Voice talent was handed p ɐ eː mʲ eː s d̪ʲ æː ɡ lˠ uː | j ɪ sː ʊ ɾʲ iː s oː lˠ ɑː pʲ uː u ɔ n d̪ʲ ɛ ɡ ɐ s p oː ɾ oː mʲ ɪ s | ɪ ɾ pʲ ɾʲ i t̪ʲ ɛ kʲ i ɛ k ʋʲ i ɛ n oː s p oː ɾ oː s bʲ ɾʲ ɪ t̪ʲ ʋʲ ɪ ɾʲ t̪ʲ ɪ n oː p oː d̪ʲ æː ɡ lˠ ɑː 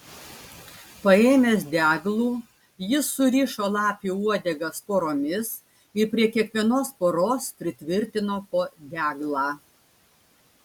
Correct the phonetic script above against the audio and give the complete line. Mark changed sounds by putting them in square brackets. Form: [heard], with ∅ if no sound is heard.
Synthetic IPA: p ɐ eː mʲ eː s d̪ʲ æː ɡ lˠ uː | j ɪ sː ʊ ɾʲ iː [ʃ] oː lˠ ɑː pʲ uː u ɔ [∅] d̪ʲ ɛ ɡ ɐ s p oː ɾ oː mʲ ɪ s | ɪ ɾ pʲ ɾʲ i [∅] ɛ kʲ i ɛ k ʋʲ i ɛ n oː s p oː ɾ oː s [pʲ] ɾʲ ɪ t̪ʲ ʋʲ ɪ ɾʲ t̪ʲ ɪ n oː p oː d̪ʲ æː ɡ lˠ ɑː